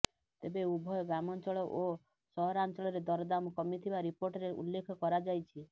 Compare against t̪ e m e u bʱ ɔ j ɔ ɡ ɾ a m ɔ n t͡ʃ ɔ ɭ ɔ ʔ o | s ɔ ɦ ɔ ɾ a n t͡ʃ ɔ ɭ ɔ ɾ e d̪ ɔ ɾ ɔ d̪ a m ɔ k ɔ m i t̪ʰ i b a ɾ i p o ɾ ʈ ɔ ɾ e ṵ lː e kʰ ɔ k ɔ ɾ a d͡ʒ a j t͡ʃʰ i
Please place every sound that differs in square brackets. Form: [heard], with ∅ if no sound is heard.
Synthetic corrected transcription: t̪ e [b] e u bʱ ɔ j ɔ ɡ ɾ a m ɔ n t͡ʃ ɔ ɭ ɔ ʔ o | s ɔ ɦ ɔ ɾ a n t͡ʃ ɔ ɭ ɔ ɾ e d̪ ɔ ɾ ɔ d̪ a m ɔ k ɔ m i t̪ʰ i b a ɾ i p o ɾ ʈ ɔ ɾ e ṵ lː e kʰ ɔ k ɔ ɾ a d͡ʒ a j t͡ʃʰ i